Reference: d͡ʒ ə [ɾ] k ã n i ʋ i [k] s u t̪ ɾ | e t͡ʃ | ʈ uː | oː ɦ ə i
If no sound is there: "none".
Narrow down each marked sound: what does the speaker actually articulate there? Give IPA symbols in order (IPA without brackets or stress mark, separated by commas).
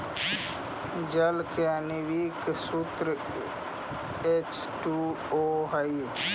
l, k